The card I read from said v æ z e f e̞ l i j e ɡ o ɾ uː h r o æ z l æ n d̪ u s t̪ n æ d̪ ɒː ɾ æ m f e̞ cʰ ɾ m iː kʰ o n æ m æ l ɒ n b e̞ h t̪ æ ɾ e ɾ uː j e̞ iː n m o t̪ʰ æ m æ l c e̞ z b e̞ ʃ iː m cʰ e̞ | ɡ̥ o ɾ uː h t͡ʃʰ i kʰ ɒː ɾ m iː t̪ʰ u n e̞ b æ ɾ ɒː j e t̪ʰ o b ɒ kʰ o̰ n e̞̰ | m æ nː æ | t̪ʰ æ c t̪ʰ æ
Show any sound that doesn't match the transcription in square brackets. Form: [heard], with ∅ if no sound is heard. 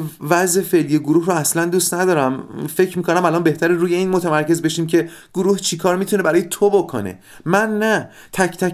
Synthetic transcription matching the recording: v æ z e f e̞ l i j e ɡ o ɾ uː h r o æ [s] l æ n d̪ u s t̪ n æ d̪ ɒː ɾ æ m f e̞ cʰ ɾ m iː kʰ o n æ m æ l ɒ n b e̞ h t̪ æ ɾ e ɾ uː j e̞ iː n m o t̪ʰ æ m æ [ɾ] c e̞ z b e̞ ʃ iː m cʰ e̞ | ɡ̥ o ɾ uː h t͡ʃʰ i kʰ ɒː ɾ m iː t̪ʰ u n e̞ b æ ɾ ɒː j e t̪ʰ o b [o] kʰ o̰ n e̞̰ | m æ nː æ | t̪ʰ æ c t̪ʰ æ